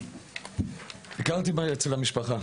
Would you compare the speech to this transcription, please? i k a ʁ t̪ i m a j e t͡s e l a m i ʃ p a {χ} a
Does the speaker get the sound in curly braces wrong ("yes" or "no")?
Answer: no